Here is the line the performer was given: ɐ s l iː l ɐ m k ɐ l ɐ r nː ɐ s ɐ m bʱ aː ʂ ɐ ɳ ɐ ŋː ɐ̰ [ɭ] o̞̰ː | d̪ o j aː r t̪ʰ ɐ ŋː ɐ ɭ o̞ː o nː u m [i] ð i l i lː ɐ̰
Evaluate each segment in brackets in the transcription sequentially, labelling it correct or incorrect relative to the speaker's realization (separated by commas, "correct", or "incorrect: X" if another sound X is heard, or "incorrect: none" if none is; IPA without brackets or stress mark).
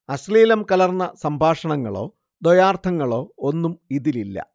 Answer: correct, correct